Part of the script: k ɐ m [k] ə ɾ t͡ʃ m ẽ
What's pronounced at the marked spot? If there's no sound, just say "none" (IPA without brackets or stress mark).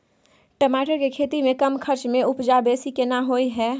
kʰ